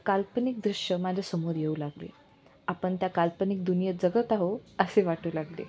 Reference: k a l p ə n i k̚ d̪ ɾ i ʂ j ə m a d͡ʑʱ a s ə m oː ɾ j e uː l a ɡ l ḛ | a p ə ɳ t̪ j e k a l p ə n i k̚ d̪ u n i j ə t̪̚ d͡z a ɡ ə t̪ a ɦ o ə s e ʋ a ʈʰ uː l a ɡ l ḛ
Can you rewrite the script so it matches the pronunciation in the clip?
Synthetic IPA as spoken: k a l p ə n i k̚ d̪ ɾ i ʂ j ə m a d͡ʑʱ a s ə m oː ɾ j e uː l a ɡ l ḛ | a p ə ɳ t̪ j a k a l p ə n i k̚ d̪ u n i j ə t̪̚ d͡z ə ɡ ə t̪ a ɦ o ə s e ʋ a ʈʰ uː l a ɡ l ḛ